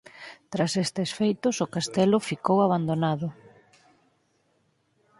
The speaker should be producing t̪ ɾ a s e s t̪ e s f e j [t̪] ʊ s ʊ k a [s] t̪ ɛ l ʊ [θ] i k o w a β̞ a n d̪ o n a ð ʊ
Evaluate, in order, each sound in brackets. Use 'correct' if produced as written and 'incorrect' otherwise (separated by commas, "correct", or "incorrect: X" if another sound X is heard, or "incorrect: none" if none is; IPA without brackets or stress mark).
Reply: correct, correct, incorrect: f